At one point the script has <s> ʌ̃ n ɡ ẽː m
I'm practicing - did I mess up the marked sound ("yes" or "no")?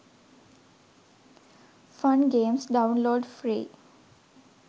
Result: yes